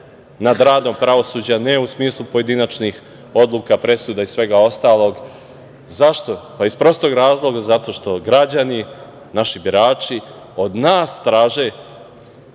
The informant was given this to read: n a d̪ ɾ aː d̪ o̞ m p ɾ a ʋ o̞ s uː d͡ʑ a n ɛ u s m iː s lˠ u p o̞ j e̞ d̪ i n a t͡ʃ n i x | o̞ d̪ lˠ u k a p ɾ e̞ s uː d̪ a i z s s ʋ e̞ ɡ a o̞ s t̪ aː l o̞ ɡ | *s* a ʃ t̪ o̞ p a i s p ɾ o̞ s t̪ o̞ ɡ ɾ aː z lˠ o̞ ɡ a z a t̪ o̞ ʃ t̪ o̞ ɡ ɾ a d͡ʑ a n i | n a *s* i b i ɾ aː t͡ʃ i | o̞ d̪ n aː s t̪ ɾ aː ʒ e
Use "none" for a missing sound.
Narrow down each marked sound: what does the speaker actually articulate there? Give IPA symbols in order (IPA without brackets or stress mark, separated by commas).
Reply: z, ʃ